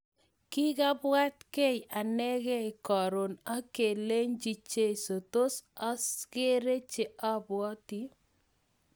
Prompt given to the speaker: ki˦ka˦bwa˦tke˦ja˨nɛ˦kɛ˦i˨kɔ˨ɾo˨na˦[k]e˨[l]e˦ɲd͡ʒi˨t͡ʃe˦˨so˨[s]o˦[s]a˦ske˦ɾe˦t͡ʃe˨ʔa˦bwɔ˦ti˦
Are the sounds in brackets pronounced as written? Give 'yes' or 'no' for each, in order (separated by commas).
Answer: yes, yes, no, yes